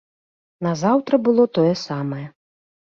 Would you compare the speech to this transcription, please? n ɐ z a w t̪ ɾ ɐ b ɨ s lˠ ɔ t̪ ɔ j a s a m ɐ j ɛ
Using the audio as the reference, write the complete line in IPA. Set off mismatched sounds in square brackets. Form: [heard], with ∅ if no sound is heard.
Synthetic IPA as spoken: n ɐ z a w t̪ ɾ ɐ b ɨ [∅] lˠ ɔ t̪ ɔ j [ɛ] s a m ɐ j ɛ